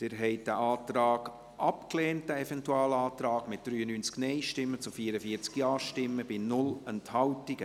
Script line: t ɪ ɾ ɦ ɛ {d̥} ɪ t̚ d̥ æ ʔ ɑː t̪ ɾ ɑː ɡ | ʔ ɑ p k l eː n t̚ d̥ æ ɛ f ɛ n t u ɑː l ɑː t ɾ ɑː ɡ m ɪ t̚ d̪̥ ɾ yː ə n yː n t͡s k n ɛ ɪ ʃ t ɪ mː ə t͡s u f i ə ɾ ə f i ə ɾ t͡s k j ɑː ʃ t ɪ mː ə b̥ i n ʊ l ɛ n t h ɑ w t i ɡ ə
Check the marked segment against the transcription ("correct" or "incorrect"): incorrect